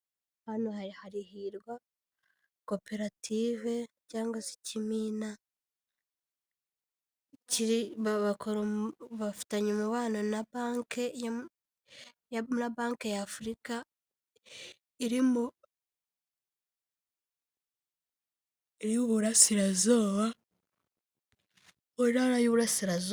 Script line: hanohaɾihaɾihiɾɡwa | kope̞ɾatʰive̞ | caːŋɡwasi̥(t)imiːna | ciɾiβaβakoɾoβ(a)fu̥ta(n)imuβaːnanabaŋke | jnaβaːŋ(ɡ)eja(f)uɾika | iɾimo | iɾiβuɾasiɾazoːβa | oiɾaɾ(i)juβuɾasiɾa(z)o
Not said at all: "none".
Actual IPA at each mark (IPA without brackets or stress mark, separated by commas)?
c, a, ɲ, k, f, a, z